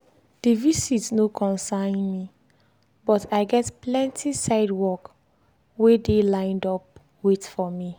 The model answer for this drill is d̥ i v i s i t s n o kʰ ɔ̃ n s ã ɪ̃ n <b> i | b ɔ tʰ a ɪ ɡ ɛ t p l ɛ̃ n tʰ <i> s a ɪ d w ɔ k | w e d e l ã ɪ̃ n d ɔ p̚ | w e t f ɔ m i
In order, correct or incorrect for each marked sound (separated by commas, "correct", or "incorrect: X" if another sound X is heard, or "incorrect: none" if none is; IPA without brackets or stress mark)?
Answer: incorrect: m, correct